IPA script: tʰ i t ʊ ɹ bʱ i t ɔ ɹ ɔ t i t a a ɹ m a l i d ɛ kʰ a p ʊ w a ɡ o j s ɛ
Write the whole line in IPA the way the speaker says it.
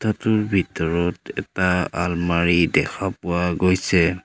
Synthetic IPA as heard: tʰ a t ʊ ɹ bʱ i t ɔ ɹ ɔ t ɛ t a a l m a ɹ i d ɛ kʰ a p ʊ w a ɡ o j s ɛ

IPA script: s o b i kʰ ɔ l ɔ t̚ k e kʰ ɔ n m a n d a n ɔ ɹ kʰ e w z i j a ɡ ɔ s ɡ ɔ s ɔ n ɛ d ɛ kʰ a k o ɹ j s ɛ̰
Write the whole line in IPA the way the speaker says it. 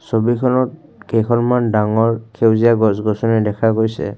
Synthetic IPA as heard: s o b i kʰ ɔ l ɔ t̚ k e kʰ ɔ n m a n d a ŋ ɔ ɹ kʰ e w z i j a ɡ ɔ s ɡ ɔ s ɔ n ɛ d ɛ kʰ a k o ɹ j s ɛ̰

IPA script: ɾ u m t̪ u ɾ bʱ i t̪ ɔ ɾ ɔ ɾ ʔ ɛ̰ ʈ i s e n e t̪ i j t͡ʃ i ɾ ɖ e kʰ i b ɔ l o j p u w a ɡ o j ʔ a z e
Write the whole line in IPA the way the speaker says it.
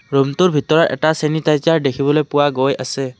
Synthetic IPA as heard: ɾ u m t̪ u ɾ bʱ i t̪ ɔ ɾ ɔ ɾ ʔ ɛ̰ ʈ a s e n i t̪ a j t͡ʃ a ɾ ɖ e kʰ i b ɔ l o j p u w a ɡ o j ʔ a s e

